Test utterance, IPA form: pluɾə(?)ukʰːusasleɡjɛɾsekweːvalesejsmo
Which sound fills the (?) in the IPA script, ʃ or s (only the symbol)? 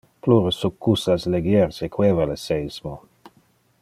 s